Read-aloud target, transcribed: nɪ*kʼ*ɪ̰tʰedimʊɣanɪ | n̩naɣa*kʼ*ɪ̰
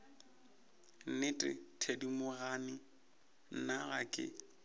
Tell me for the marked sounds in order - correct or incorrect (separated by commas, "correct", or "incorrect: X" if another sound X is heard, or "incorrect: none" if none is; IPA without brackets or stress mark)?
incorrect: tʼ, correct